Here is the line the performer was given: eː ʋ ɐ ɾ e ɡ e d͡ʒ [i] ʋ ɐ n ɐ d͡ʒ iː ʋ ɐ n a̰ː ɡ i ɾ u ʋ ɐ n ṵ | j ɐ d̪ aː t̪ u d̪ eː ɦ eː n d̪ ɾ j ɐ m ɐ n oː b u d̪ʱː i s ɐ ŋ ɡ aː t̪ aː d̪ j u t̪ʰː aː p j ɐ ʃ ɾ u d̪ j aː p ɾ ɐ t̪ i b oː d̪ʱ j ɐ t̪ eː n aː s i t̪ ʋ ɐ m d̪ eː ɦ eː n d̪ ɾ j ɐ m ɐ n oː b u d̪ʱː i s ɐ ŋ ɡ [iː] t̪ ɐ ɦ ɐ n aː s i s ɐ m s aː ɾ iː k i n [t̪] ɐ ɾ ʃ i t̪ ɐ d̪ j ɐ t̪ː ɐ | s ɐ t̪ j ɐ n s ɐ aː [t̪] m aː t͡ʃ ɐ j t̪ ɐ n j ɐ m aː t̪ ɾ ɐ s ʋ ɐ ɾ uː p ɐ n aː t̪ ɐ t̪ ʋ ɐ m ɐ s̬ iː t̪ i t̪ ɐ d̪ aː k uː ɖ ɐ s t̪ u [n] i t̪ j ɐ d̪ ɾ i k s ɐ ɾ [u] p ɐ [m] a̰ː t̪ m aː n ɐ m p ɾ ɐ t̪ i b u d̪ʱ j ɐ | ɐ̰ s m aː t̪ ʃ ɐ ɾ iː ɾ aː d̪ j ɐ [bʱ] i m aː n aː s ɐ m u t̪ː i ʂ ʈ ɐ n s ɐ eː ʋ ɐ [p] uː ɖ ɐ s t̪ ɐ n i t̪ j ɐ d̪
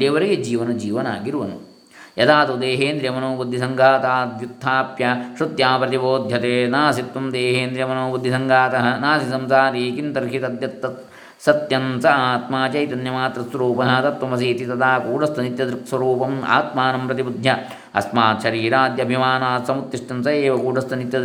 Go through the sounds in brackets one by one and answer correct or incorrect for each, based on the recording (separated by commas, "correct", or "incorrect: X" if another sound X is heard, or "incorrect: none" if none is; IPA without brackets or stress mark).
incorrect: iː, incorrect: aː, correct, correct, correct, incorrect: uː, correct, correct, incorrect: k